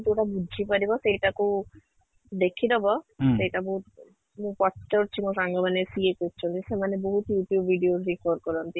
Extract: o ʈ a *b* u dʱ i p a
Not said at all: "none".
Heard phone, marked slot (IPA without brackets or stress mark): b